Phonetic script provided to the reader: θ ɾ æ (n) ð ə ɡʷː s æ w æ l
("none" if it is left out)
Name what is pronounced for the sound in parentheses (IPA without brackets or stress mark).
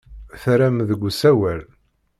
m